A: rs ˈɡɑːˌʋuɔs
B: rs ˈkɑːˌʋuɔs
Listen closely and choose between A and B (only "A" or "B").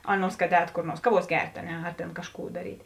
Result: B